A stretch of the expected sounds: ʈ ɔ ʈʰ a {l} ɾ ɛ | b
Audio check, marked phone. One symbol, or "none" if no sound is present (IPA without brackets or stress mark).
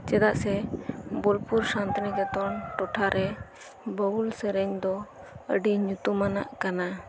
none